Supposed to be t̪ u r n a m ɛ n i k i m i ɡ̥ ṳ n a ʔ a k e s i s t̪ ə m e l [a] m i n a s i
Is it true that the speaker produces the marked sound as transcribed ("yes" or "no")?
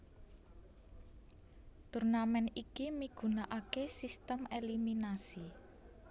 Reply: no